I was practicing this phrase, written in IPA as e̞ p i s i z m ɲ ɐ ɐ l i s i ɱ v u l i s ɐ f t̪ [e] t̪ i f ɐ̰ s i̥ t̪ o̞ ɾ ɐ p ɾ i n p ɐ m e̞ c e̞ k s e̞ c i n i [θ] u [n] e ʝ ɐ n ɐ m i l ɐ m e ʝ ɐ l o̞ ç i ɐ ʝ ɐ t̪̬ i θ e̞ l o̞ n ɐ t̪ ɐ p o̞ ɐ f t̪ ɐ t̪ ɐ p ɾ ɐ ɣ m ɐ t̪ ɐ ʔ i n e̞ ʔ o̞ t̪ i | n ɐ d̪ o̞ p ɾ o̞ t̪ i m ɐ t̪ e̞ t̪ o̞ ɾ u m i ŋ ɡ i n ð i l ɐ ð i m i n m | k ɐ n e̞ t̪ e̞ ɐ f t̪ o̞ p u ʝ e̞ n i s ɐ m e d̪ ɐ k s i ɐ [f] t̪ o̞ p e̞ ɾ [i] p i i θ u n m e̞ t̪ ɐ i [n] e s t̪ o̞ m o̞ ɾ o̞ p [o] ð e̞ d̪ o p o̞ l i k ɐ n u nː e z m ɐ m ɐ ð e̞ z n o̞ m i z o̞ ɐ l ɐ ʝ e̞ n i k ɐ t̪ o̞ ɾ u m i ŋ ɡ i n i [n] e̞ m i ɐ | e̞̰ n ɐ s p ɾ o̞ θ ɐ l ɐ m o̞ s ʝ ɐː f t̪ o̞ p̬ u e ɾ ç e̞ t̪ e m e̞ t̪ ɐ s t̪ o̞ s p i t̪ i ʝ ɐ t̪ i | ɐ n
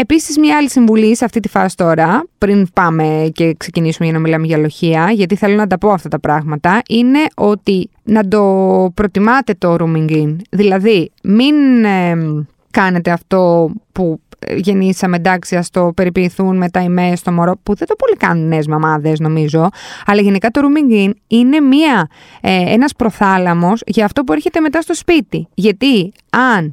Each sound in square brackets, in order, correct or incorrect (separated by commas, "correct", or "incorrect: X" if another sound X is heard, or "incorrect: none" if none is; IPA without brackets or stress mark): incorrect: i, incorrect: s, incorrect: m, incorrect: s, correct, incorrect: m, incorrect: u, correct